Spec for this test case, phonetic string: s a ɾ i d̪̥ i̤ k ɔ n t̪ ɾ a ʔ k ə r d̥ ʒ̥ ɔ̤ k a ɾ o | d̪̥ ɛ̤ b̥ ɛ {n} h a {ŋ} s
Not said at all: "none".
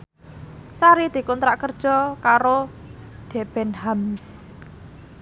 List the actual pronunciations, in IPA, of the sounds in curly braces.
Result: n, m

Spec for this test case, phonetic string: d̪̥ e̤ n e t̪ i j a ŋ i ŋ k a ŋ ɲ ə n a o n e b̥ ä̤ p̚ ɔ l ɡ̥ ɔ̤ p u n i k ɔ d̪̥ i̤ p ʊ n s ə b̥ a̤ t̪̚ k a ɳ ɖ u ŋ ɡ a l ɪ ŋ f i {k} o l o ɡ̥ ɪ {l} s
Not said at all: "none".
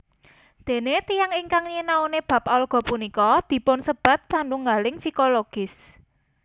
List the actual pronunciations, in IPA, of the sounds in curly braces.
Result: k, none

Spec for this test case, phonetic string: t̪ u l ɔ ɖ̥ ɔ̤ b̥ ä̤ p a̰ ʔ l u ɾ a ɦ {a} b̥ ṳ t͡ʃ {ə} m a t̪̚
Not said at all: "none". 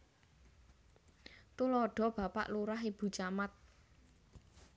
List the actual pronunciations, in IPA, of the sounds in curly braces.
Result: i, a

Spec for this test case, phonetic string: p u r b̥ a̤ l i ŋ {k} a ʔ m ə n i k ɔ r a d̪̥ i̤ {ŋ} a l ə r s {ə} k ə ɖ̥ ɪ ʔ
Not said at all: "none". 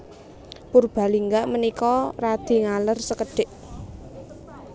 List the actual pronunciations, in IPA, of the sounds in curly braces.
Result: ɡ, ŋ, ə

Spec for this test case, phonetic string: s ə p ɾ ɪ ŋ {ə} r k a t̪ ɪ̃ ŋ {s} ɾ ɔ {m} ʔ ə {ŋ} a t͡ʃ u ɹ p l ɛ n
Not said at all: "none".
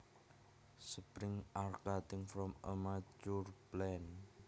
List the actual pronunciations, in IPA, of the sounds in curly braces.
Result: a, f, m, m

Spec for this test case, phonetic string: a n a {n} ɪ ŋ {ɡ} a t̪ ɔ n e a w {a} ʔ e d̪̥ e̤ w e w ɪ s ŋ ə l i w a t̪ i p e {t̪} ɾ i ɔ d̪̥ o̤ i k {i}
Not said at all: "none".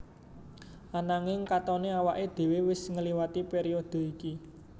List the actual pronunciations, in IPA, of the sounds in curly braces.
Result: ŋ, k, a, none, i

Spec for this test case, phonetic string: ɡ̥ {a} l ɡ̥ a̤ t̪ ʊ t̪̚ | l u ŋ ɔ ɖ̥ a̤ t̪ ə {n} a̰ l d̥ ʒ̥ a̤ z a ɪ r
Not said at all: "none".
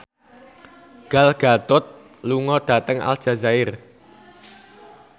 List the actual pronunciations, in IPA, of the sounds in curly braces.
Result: a, ŋ

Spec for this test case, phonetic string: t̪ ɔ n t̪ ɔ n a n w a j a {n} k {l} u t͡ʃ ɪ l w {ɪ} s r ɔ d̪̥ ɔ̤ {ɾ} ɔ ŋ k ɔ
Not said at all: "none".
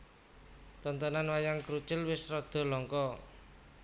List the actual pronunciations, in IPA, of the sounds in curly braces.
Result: ŋ, ɾ, ɪ, l

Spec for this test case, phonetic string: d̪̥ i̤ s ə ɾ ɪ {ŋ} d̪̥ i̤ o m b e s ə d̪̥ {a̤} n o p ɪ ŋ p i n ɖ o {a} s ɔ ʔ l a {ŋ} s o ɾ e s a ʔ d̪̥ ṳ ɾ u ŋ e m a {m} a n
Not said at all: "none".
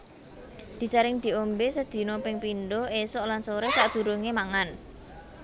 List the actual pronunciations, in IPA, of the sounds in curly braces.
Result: ŋ, i̤, e, n, ŋ

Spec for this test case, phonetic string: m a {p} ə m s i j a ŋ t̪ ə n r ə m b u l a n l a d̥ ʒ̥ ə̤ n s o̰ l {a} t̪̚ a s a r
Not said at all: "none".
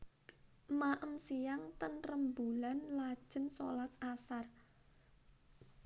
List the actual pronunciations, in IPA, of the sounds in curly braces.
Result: ʔ, a

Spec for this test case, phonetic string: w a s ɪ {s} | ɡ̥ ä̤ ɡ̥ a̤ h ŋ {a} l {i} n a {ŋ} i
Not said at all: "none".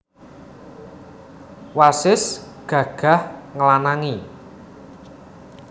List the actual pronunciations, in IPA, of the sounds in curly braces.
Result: s, ə, a, ŋ

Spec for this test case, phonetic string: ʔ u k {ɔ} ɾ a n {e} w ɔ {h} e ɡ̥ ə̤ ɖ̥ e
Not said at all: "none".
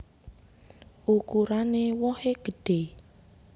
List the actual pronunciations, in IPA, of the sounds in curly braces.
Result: u, e, h

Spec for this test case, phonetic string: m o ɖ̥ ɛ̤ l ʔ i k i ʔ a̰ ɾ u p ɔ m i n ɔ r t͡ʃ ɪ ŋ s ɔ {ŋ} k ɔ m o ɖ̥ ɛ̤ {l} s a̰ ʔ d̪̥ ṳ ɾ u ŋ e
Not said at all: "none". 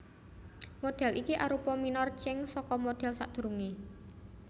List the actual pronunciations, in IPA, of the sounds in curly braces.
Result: none, l

